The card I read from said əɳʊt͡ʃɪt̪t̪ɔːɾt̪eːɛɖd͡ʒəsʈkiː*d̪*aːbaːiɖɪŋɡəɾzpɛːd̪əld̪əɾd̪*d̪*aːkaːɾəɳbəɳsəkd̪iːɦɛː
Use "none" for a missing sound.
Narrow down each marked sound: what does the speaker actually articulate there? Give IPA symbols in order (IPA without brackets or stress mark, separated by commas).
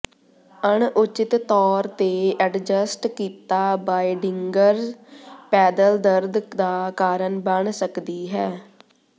t̪, d̪